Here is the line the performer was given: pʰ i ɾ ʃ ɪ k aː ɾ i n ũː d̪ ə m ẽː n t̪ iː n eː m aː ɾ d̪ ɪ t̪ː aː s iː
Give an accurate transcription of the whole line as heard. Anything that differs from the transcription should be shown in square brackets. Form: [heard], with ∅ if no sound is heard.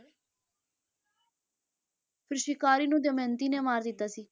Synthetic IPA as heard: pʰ [ɪ] ɾ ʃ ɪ k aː ɾ [iː] n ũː d̪ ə m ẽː n t̪ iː n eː m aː ɾ d̪ ɪ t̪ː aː s iː